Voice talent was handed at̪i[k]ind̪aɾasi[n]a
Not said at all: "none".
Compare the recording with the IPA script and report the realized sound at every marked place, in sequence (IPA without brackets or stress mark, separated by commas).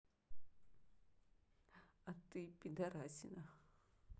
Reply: p, n